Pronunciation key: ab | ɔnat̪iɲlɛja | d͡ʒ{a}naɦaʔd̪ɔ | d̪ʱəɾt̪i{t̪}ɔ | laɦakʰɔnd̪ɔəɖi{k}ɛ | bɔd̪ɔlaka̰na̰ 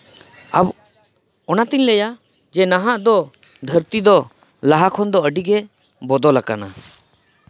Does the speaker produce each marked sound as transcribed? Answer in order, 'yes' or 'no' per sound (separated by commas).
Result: no, no, no